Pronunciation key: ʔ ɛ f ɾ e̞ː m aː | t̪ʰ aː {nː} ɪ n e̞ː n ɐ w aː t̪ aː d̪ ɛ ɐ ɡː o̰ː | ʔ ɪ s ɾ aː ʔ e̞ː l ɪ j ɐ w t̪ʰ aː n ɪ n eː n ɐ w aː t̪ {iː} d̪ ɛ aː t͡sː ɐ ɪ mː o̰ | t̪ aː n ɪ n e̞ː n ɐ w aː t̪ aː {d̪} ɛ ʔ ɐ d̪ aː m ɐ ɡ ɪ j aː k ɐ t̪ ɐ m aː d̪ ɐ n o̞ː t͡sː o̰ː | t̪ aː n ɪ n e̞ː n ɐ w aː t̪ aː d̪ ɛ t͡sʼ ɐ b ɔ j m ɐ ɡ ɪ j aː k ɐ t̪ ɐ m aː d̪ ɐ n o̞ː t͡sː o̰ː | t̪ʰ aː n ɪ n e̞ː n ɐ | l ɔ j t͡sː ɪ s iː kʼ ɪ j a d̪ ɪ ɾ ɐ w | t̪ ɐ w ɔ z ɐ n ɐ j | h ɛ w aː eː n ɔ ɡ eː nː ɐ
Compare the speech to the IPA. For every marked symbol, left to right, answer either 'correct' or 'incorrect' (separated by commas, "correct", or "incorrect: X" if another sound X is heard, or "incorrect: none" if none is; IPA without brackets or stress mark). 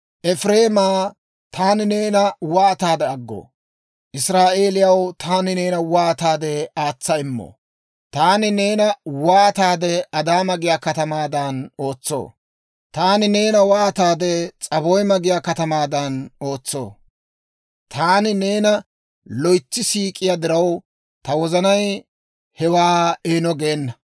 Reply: incorrect: n, incorrect: aː, correct